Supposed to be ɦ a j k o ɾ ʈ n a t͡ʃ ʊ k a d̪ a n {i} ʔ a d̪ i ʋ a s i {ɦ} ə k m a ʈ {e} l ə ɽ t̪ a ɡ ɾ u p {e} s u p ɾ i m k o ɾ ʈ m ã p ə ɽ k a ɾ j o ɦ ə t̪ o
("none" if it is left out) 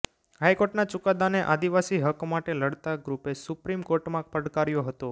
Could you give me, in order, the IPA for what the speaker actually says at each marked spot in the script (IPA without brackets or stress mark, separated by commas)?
e, ɦ, e, e